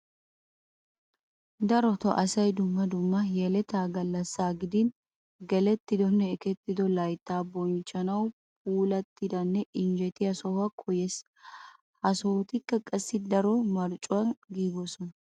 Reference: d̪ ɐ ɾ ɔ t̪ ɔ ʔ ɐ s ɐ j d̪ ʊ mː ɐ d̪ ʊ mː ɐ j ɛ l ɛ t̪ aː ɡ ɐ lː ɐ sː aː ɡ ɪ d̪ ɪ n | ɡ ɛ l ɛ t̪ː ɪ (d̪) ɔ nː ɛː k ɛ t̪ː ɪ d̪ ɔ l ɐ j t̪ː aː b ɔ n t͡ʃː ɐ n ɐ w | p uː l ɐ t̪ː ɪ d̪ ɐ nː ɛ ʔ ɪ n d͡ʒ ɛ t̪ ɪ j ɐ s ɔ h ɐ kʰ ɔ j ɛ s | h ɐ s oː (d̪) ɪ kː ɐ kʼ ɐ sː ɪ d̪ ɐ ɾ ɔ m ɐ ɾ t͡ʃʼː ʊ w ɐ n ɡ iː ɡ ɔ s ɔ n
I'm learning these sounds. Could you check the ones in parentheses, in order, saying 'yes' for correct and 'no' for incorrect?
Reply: yes, no

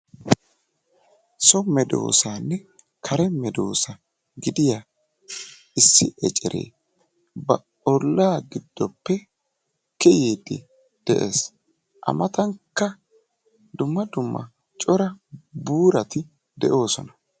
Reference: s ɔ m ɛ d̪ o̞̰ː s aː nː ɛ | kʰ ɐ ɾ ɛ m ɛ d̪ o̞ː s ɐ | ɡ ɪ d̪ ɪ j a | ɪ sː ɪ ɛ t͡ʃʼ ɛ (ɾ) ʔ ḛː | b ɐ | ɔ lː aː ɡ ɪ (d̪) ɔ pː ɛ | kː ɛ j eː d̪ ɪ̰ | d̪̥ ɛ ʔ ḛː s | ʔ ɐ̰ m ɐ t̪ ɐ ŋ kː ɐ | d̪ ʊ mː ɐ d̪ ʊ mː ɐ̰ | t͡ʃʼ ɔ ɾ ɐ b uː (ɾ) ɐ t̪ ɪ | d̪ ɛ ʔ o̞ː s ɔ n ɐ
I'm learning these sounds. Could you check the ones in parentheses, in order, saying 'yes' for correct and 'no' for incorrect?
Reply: yes, no, yes

